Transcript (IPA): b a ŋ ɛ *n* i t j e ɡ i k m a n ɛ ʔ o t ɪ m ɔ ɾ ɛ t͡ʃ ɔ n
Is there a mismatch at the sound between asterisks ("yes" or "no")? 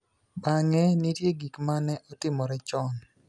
no